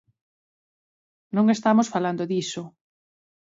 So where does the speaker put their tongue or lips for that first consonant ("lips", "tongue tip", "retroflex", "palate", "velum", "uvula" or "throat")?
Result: tongue tip